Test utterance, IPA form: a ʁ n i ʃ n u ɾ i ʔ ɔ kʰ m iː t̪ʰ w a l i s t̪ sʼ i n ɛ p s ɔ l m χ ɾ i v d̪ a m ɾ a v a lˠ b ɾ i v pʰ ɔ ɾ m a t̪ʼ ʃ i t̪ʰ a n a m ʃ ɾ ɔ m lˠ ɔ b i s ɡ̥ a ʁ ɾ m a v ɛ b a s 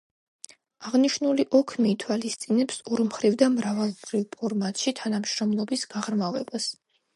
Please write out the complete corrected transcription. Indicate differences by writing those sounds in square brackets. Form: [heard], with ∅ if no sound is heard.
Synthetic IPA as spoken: a ʁ n i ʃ n u [l] i ʔ ɔ kʰ m iː t̪ʰ w a l i s t̪ sʼ i n ɛ p s ɔ [ɾ] m χ ɾ i v d̪ a m ɾ a v a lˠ b ɾ i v pʰ ɔ ɾ m a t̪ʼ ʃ i t̪ʰ a n a m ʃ ɾ ɔ m lˠ ɔ b i s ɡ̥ a ʁ ɾ m a v ɛ b a s